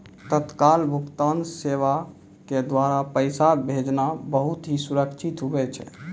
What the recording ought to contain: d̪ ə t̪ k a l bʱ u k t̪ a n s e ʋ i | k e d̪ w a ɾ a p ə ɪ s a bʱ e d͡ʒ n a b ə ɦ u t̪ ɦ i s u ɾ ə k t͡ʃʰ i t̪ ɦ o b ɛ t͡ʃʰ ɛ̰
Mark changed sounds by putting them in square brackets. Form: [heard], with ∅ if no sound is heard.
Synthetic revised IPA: [t̪] ə t̪ k a l bʱ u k t̪ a n s e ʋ [a] | k e d̪ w a ɾ a p ə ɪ s a bʱ e d͡ʒ n a b ə ɦ u t̪ ɦ i s u ɾ ə k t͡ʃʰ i t̪ ɦ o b ɛ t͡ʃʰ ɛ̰